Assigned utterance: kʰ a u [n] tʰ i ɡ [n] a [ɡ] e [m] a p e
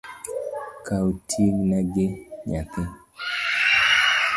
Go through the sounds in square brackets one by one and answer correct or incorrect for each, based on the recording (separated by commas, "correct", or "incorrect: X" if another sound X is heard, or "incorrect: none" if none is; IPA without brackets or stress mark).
incorrect: none, correct, correct, incorrect: ɲ